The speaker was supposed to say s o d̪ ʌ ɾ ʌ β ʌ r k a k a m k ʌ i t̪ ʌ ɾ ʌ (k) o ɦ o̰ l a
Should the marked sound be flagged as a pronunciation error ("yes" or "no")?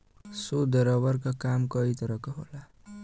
no